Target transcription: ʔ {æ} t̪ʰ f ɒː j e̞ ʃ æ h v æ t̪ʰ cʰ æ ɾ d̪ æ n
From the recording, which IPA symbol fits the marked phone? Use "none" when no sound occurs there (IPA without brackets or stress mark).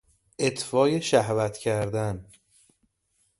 e